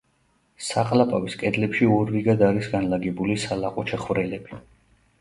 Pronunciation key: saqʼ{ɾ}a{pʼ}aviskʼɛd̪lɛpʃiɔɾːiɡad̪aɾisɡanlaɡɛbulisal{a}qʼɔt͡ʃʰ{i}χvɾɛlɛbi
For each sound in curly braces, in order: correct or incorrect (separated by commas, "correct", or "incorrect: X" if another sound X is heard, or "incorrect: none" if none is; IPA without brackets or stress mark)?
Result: incorrect: l, correct, correct, incorrect: ɛ